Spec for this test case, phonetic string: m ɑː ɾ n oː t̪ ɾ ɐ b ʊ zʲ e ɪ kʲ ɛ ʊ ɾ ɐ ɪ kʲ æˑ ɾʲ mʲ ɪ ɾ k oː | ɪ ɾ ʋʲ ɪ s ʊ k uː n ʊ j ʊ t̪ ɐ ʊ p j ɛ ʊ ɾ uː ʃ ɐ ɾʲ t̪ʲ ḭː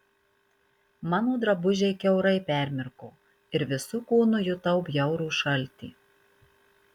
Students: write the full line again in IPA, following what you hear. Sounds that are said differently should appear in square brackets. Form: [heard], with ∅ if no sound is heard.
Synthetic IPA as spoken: m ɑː [∅] n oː [d̪] ɾ ɐ b ʊ [ʒʲ] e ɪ kʲ ɛ ʊ ɾ ɐ ɪ [pʲ] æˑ ɾʲ mʲ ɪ ɾ k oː | ɪ ɾ ʋʲ ɪ s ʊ k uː n ʊ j ʊ t̪ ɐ ʊ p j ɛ ʊ ɾ uː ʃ ɐ [lʲ] t̪ʲ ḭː

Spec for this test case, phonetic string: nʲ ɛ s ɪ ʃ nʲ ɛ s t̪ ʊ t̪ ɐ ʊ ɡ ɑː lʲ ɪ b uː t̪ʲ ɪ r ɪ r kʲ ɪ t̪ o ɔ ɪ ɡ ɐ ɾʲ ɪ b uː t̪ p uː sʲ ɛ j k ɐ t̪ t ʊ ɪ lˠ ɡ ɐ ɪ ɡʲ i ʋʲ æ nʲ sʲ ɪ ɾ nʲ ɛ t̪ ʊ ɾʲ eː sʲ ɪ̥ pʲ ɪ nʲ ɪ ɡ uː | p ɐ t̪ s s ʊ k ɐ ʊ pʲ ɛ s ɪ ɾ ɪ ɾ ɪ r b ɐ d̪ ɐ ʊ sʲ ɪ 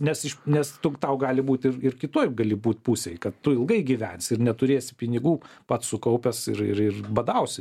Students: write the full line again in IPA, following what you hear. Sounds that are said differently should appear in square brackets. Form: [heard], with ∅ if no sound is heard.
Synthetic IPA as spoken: nʲ ɛ s ɪ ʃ nʲ ɛ s t̪ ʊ t̪ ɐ ʊ ɡ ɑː lʲ ɪ b uː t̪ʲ ɪ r ɪ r kʲ ɪ t̪ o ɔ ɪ ɡ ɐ [lʲ] ɪ b uː t̪ p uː sʲ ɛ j k ɐ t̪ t ʊ ɪ lˠ ɡ ɐ ɪ ɡʲ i ʋʲ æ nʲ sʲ ɪ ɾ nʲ ɛ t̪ ʊ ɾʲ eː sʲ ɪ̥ pʲ ɪ nʲ ɪ ɡ uː | p ɐ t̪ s s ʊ k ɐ ʊ pʲ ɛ s ɪ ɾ ɪ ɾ ɪ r b ɐ d̪ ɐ ʊ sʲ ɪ

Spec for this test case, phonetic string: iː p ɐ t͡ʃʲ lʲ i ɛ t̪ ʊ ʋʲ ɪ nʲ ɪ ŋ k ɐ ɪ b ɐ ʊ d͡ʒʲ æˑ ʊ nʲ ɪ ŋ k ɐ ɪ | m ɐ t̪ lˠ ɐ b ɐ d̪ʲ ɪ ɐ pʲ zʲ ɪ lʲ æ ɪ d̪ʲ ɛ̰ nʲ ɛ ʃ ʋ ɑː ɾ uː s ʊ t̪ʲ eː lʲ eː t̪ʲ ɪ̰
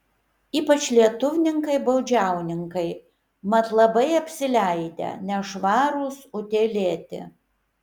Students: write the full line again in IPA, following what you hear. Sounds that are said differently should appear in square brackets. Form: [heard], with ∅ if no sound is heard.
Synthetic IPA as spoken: iː p ɐ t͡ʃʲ lʲ i ɛ t̪ ʊ ʋʲ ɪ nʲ ɪ ŋ k ɐ ɪ b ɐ ʊ d͡ʒʲ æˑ ʊ nʲ ɪ ŋ k ɐ ɪ | m ɐ t̪ lˠ ɐ b ɐ [∅] ɪ ɐ pʲ [sʲ] ɪ lʲ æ ɪ d̪ʲ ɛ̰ nʲ ɛ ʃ ʋ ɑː ɾ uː s ʊ t̪ʲ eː lʲ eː t̪ʲ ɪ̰

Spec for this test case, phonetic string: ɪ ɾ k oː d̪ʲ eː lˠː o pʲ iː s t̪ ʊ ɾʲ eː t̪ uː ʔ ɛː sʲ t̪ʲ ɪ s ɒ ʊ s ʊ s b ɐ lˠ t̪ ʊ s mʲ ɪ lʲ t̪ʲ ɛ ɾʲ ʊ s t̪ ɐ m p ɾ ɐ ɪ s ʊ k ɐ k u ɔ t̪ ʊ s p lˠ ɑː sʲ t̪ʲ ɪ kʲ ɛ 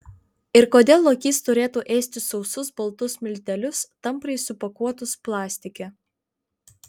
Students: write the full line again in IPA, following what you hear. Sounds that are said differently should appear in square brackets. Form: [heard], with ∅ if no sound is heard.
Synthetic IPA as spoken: ɪ ɾ k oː d̪ʲ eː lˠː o [kʲ] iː s t̪ ʊ ɾʲ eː t̪ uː ʔ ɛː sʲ t̪ʲ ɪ s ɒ ʊ s ʊ s b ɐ lˠ t̪ ʊ s mʲ ɪ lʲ t̪ʲ ɛ [lʲ] ʊ s t̪ ɐ m p ɾ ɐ ɪ s ʊ [p] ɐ k u ɔ t̪ ʊ s p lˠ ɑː sʲ t̪ʲ ɪ kʲ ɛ

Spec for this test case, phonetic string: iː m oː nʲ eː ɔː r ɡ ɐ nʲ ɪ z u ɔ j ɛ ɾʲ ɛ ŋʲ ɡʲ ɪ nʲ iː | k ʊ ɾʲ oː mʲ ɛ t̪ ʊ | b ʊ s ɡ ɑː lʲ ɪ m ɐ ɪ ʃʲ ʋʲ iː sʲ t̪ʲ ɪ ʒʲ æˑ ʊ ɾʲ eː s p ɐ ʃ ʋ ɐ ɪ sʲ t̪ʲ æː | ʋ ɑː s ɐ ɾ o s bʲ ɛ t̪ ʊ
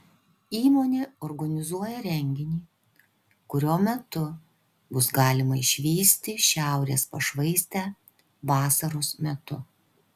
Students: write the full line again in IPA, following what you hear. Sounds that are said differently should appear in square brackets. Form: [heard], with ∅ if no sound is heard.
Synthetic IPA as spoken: iː m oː nʲ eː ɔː [ɾ] ɡ ɐ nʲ ɪ z u ɔ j ɛ ɾʲ ɛ ŋʲ ɡʲ ɪ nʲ iː | k ʊ ɾʲ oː mʲ ɛ t̪ ʊ | b ʊ s ɡ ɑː lʲ ɪ m ɐ ɪ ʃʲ ʋʲ iː sʲ t̪ʲ ɪ [ʃʲ] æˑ ʊ ɾʲ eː s p ɐ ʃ ʋ ɐ ɪ sʲ t̪ʲ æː | ʋ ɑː s ɐ ɾ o s [mʲ] ɛ t̪ ʊ

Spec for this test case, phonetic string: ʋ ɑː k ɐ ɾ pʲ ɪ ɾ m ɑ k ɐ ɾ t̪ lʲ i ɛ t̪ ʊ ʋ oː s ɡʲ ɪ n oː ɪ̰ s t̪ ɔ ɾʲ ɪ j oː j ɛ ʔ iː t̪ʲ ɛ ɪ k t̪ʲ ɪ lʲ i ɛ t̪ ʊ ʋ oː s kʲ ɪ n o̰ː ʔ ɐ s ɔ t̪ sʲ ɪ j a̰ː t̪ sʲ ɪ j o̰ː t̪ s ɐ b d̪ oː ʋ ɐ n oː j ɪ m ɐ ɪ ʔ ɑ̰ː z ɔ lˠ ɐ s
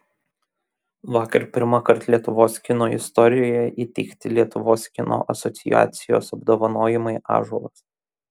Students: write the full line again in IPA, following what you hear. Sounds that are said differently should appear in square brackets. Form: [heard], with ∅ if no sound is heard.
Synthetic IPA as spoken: ʋ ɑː k ɐ ɾ pʲ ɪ ɾ m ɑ k ɐ ɾ t̪ lʲ i ɛ t̪ ʊ ʋ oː s [kʲ] ɪ n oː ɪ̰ s t̪ ɔ ɾʲ ɪ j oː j ɛ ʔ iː t̪ʲ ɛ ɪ k t̪ʲ ɪ lʲ i ɛ t̪ ʊ ʋ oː s kʲ ɪ n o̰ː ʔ ɐ s ɔ t̪ sʲ ɪ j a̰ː t̪ sʲ ɪ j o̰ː [∅] s ɐ b d̪ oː ʋ ɐ n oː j ɪ m ɐ ɪ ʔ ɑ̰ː [ʒ] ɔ lˠ ɐ s

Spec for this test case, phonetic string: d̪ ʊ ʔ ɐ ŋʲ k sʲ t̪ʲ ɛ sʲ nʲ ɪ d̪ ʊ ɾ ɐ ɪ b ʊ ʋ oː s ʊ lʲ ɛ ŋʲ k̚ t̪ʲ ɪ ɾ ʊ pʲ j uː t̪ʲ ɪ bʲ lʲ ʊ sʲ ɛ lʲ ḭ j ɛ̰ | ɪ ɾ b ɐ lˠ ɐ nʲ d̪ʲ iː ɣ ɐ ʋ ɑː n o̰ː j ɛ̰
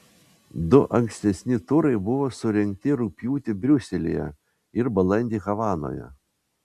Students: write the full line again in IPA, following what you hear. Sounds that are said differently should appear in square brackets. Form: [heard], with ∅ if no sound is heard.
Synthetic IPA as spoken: d̪ ʊ ʔ ɐ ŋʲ k sʲ t̪ʲ ɛ sʲ nʲ ɪ [t̪] ʊ ɾ ɐ ɪ b ʊ ʋ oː s ʊ [ɾʲ] ɛ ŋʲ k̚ t̪ʲ ɪ ɾ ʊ pʲ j uː t̪ʲ ɪ bʲ [ɾʲ] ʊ sʲ ɛ lʲ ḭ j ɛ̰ | ɪ ɾ b ɐ lˠ ɐ nʲ d̪ʲ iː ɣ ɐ ʋ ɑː n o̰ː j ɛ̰

